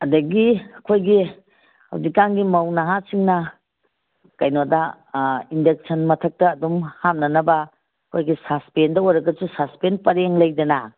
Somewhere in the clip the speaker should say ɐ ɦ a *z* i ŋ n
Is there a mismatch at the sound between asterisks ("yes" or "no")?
yes